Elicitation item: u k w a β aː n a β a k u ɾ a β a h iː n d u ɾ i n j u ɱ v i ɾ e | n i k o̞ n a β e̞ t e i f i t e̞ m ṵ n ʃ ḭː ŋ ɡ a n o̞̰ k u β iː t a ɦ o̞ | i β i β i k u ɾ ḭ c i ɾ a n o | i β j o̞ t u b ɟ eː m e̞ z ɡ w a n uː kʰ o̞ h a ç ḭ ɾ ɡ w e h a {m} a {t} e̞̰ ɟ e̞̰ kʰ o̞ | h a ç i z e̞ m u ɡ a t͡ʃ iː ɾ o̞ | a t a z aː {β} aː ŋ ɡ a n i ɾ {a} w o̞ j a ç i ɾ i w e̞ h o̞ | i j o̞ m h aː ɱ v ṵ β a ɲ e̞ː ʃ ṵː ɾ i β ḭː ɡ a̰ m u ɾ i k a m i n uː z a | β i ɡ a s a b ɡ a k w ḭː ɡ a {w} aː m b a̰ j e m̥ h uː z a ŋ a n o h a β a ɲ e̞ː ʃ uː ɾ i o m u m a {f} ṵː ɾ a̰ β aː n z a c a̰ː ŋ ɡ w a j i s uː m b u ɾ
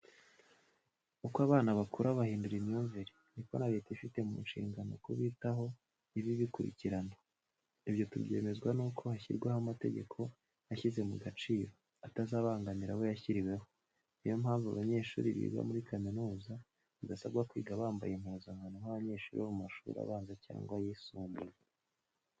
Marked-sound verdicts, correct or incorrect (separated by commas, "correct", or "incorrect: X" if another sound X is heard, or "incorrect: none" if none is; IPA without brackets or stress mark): correct, correct, correct, correct, incorrect: β, incorrect: ʃ